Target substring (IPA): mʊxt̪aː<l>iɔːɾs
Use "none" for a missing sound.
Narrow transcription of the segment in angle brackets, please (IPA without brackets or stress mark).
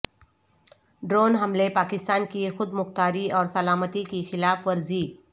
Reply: ɾ